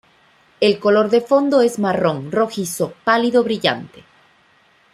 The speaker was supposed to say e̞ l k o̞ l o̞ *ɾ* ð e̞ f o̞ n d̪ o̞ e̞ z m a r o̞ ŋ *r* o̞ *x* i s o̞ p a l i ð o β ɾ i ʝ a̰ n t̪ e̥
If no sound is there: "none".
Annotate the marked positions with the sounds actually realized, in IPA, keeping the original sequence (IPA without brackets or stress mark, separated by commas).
ɾ, r, x